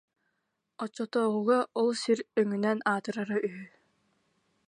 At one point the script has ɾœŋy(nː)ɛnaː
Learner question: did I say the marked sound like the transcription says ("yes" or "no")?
no